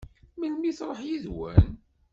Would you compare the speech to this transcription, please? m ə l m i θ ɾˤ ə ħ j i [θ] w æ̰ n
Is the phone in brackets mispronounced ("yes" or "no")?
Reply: yes